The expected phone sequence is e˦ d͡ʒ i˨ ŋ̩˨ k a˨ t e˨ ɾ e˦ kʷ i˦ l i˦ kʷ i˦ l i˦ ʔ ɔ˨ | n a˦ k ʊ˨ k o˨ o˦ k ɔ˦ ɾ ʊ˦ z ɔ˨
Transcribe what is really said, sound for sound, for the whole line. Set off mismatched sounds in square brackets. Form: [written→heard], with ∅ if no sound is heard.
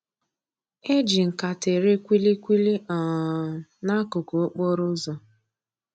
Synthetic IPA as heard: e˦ d͡ʒ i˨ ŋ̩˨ k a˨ t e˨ ɾ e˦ kʷ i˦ l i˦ kʷ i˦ l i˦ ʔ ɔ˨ | n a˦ k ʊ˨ k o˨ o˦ [k→k͡p] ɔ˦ ɾ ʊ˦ z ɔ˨